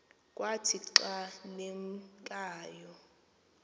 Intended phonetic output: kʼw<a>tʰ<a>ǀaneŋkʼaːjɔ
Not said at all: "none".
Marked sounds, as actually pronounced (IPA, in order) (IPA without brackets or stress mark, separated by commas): a, i